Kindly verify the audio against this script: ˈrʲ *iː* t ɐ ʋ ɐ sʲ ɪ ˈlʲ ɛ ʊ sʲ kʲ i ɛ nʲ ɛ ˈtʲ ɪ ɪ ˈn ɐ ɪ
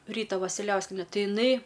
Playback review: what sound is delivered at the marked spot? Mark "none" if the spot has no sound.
iː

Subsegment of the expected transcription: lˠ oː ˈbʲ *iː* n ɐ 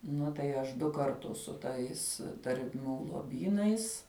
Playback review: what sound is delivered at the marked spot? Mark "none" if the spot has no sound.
iː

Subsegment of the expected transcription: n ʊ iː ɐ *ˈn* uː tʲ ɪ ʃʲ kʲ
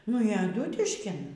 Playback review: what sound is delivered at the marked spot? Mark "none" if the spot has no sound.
d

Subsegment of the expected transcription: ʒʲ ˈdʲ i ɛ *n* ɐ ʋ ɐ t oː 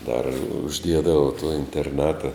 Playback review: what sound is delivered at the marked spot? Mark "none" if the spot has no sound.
d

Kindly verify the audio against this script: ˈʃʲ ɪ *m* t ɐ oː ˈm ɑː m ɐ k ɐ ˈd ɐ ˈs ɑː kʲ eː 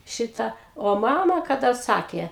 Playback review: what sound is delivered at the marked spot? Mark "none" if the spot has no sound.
none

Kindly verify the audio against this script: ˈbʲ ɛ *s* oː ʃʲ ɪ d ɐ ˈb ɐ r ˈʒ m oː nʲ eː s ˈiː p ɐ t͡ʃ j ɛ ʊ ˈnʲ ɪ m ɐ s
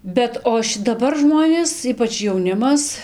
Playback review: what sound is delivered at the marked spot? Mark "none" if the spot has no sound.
t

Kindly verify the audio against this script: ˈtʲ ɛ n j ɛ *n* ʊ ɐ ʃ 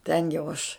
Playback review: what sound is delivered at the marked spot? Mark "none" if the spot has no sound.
none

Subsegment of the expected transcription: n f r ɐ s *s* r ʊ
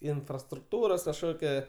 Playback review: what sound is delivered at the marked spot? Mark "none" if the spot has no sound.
t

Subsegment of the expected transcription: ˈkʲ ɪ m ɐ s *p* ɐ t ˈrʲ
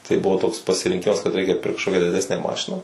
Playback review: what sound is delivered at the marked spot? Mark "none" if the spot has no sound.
k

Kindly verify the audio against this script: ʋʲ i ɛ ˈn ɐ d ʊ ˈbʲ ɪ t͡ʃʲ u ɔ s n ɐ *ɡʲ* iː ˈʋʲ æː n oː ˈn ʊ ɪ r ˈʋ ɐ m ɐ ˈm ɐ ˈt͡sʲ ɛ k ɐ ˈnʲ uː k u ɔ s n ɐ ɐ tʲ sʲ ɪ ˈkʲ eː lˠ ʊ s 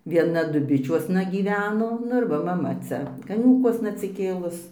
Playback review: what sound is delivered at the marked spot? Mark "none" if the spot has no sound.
ɡʲ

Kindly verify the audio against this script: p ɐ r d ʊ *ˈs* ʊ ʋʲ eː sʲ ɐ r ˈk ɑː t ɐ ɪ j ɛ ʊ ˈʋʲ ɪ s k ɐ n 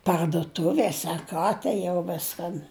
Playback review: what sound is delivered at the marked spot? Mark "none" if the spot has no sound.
t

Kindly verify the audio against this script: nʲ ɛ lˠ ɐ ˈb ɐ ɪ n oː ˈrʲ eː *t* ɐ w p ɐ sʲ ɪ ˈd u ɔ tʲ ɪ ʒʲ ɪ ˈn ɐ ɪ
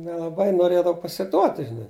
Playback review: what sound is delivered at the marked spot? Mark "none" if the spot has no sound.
d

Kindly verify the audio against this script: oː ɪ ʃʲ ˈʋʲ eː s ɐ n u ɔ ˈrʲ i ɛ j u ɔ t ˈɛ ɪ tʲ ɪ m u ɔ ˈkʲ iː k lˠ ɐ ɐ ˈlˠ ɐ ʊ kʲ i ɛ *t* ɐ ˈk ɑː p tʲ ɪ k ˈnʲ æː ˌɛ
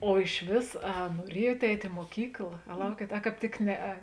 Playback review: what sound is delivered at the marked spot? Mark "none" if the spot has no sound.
t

